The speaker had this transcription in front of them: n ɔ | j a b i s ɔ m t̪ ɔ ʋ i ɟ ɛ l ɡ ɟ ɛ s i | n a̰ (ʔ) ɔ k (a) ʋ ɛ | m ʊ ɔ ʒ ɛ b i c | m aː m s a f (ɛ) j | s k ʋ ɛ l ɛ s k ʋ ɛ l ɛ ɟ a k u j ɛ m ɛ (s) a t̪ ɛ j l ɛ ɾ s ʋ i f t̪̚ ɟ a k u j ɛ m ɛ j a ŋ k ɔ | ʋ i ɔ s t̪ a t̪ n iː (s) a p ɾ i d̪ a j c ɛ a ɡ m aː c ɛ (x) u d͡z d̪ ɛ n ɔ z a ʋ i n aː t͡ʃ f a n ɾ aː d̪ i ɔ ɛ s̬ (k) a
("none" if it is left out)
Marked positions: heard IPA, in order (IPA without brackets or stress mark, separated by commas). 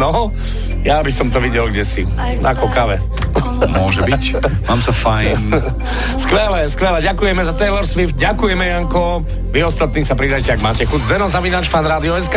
k, a, a, z, s, x, k